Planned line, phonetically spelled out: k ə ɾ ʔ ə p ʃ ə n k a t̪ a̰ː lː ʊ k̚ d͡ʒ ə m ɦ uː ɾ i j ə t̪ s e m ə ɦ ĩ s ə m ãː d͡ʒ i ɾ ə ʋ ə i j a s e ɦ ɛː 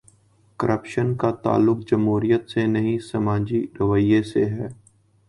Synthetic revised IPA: k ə ɾ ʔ ə p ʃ ə n k a t̪ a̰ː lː ʊ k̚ d͡ʒ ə m ɦ uː ɾ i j ə t̪ s e n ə ɦ ĩ s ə m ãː d͡ʒ i ɾ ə ʋ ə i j e s e ɦ ɛː